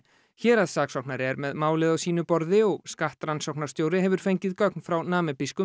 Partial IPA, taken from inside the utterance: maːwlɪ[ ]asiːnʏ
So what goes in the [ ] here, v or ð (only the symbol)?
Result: ð